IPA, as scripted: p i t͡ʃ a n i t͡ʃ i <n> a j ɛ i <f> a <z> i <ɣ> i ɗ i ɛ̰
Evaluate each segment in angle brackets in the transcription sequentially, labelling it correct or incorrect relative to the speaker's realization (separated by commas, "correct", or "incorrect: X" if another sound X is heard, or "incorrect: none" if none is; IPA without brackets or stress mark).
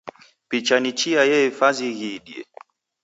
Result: incorrect: none, correct, correct, correct